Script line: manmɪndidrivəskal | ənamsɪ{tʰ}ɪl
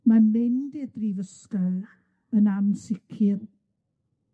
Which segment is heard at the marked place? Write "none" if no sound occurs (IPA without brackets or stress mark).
kʰ